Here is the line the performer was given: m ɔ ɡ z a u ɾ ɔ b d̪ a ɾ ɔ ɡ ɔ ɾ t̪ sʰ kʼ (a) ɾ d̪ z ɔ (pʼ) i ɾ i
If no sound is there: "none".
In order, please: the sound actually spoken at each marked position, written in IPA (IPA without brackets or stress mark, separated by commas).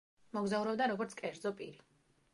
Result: ɛ, pʼ